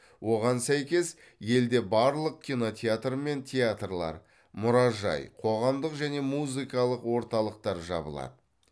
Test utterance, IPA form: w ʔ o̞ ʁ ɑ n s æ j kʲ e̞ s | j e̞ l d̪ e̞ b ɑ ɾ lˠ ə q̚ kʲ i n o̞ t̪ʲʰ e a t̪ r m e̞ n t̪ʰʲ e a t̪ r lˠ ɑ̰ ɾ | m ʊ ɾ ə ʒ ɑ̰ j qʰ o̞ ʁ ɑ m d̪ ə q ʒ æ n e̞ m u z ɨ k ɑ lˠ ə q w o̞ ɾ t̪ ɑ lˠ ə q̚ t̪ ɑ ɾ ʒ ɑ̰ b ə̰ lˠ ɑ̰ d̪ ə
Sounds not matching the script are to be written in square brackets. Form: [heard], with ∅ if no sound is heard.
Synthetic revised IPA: w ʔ o̞ ʁ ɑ n s æ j kʲ e̞ s | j e̞ l d̪ e̞ b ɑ ɾ lˠ ə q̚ kʲ i n o̞ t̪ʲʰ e a t̪ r m e̞ n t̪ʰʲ e a t̪ r lˠ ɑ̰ ɾ | m ʊ ɾ [ɑ] ʒ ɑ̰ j qʰ o̞ ʁ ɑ m d̪ ə q ʒ æ n e̞ m u z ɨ k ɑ lˠ ə q w o̞ ɾ t̪ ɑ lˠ ə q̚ t̪ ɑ ɾ ʒ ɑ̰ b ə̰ lˠ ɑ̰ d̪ ə

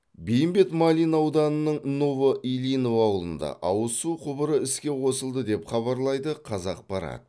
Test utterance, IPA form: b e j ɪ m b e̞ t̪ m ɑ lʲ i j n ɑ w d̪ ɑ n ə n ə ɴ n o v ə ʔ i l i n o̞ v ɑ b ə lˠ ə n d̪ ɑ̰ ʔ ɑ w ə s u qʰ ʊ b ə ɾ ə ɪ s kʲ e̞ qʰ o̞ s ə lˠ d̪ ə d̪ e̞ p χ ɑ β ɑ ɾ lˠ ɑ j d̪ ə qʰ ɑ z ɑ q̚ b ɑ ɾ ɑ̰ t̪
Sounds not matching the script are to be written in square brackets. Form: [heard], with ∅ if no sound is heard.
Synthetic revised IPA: b e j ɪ m b e̞ t̪ m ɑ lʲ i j n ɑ w d̪ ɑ n ə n ə ɴ n o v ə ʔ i l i n o̞ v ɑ [w] ə lˠ ə n d̪ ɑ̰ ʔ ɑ w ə s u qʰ ʊ b ə ɾ ə ɪ s kʲ e̞ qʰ o̞ s ə lˠ d̪ ə d̪ e̞ p χ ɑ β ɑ ɾ lˠ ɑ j d̪ ə qʰ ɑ z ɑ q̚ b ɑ ɾ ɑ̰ t̪

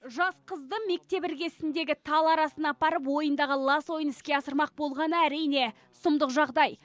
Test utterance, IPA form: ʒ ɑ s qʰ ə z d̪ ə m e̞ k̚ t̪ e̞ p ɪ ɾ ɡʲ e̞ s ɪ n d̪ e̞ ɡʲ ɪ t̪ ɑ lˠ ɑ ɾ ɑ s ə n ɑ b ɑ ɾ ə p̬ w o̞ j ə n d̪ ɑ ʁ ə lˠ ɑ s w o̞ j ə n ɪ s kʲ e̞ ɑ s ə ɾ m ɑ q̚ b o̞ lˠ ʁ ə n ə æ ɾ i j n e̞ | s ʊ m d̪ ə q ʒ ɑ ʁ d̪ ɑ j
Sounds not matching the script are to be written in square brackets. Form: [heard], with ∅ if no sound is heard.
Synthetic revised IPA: ʒ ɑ s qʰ ə z d̪ ə m e̞ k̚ t̪ e̞ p ɪ ɾ ɡʲ e̞ s ɪ n d̪ e̞ ɡʲ ɪ [t̪ʰ] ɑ lˠ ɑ ɾ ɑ s ə n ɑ [p] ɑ ɾ ə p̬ w o̞ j ə n d̪ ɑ ʁ ə lˠ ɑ s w o̞ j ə n ɪ s kʲ e̞ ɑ s ə ɾ m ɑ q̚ b o̞ lˠ ʁ [ɑ] n ə æ ɾ i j n e̞ | s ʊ m d̪ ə q ʒ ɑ ʁ d̪ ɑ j

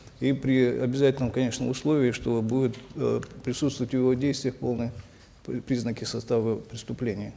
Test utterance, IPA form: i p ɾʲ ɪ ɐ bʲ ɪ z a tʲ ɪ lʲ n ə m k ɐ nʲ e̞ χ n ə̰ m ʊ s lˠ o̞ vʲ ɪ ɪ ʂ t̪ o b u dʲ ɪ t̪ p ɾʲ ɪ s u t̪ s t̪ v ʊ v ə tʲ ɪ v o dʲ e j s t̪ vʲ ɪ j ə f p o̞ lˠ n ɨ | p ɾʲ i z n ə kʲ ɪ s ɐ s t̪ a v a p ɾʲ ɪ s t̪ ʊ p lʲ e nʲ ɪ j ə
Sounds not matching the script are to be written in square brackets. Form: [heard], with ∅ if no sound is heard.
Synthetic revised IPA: i p ɾʲ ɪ ɐ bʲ ɪ z a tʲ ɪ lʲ n ə m k ɐ nʲ e̞ [ʂ] n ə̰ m ʊ s lˠ o̞ vʲ ɪ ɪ ʂ t̪ o b u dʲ ɪ t̪ p ɾʲ ɪ s u t̪ s t̪ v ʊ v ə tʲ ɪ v o dʲ e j s t̪ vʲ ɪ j ə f p o̞ lˠ n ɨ | p ɾʲ i z n ə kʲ ɪ s ɐ s t̪ a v [ə] p ɾʲ ɪ s t̪ ʊ p lʲ e nʲ ɪ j ə

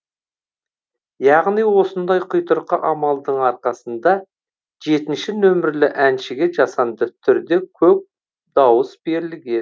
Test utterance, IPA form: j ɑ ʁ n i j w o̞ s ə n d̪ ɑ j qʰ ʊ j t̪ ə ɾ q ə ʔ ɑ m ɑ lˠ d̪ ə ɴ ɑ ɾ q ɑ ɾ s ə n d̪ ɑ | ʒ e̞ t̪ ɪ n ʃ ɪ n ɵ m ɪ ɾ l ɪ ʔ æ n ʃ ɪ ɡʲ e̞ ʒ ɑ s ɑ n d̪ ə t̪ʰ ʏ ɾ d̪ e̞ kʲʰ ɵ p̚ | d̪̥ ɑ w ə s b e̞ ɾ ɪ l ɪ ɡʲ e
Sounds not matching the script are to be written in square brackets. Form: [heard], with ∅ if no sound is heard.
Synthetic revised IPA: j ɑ ʁ n i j w o̞ s ə n d̪ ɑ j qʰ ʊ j t̪ ə ɾ q ə ʔ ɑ m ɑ lˠ d̪ ə ɴ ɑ ɾ q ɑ [∅] s ə n d̪ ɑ | ʒ e̞ t̪ ɪ n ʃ ɪ n ɵ m ɪ ɾ l ɪ ʔ æ n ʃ ɪ ɡʲ e̞ ʒ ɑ s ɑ n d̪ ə t̪ʰ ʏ ɾ d̪ e̞ kʲʰ ɵ p̚ | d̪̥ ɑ w ə s b e̞ ɾ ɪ l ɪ ɡʲ e

